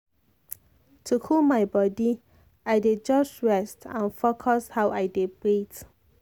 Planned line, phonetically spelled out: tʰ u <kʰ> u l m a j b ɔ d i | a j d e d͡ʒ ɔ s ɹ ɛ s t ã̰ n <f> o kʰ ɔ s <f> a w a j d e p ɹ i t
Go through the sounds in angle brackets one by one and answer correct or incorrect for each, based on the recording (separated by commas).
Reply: correct, correct, incorrect